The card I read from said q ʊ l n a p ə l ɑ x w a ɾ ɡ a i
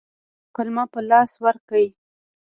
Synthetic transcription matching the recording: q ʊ l m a p ə l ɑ s w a ɾ k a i